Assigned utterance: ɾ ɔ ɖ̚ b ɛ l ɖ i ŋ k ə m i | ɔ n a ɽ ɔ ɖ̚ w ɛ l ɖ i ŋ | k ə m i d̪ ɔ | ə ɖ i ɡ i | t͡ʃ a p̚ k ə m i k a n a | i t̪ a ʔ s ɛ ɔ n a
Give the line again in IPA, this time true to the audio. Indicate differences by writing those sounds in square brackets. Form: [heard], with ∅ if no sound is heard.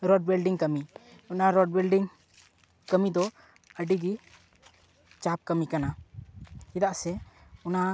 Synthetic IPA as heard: ɾ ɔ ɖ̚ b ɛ l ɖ i ŋ k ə m i | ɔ n a [ɾ] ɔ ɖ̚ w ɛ l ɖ i ŋ | k ə m i d̪ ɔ | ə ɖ i ɡ i | t͡ʃ a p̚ k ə m i k a n a | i [d̪] a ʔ s ɛ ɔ n a